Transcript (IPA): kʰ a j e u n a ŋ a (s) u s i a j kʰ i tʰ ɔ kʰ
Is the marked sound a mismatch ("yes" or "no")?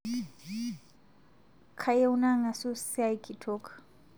no